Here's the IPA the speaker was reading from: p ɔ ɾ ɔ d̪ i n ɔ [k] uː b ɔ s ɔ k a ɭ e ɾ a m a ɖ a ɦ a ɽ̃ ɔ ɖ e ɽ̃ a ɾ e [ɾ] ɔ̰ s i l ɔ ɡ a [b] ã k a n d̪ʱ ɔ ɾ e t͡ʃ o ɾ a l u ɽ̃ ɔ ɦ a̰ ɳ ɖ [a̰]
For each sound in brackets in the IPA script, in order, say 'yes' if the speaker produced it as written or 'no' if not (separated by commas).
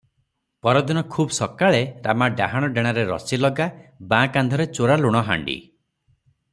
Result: no, yes, yes, no